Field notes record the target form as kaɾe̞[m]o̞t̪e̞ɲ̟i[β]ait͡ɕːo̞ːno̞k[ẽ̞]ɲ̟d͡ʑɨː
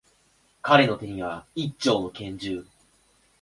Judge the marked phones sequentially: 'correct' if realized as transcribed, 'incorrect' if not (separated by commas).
incorrect, correct, correct